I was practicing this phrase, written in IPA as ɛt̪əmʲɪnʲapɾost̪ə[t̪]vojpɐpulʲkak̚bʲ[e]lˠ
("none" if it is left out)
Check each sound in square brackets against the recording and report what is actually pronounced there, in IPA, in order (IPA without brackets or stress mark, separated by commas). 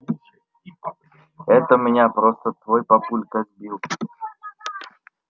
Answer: t̪, i